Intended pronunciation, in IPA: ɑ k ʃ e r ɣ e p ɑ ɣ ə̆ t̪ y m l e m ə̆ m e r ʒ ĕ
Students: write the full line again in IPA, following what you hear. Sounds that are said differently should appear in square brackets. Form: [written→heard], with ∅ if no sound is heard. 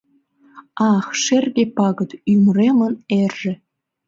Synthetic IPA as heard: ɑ [k→x] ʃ e r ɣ e p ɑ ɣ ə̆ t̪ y m [l→r] e m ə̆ [m→n] e r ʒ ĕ